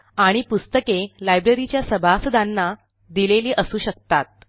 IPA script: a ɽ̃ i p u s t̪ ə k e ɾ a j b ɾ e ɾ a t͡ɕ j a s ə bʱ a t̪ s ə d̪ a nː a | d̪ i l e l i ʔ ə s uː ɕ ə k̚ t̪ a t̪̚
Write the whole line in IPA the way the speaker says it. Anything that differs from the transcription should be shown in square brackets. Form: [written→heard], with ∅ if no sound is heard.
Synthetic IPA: a ɽ̃ i p u s t̪ ə k e [ɾ→l] a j b ɾ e ɾ [a→i] t͡ɕ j a s ə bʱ a [t̪→∅] s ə d̪ a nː a | d̪ i l e l [i→iː] ʔ ə s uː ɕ ə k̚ t̪ a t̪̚